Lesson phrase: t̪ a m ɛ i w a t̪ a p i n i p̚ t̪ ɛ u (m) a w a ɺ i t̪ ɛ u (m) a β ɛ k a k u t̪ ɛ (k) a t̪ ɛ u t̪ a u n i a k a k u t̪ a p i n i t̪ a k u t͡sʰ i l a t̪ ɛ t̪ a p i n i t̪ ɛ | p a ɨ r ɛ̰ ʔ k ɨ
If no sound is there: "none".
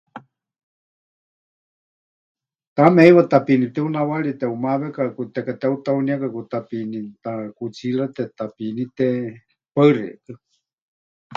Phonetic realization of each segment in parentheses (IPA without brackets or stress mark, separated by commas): n, m, k